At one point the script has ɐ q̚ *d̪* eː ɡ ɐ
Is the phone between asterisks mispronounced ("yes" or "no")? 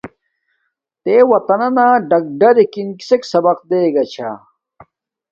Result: no